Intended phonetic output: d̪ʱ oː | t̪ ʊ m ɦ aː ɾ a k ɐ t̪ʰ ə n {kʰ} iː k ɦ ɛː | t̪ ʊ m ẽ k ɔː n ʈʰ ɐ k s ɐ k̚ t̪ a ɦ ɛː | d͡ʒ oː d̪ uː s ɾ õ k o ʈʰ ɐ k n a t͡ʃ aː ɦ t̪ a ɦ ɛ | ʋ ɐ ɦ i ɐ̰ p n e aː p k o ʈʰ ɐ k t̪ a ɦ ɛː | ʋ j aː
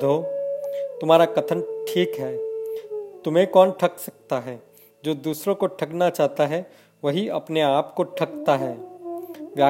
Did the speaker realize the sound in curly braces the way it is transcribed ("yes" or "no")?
no